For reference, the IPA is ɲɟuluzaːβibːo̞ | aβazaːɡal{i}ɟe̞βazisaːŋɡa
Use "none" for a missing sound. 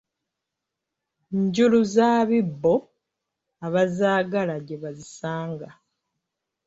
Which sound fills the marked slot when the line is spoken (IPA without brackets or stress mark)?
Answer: a